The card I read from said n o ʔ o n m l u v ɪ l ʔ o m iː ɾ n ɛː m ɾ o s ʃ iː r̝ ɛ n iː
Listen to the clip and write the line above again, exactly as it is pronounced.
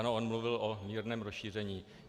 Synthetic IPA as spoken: n o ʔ o n m l u v ɪ l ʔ o m iː ɾ n ɛː m ɾ o s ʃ iː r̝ ɛ ɲ iː